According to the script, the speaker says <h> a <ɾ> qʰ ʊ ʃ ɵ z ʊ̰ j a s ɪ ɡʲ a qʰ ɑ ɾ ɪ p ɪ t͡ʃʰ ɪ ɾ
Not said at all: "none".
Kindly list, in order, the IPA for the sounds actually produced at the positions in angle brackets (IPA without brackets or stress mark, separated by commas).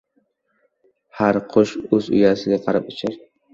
h, ɾ